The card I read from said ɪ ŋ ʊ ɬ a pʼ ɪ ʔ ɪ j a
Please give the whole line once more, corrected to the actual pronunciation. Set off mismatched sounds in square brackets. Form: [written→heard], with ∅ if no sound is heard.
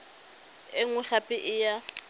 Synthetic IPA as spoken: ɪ ŋ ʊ ɬ a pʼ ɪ ʔ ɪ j a